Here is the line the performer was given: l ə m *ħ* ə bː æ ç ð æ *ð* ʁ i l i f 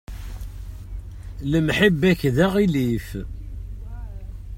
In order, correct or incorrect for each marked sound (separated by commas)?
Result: correct, incorrect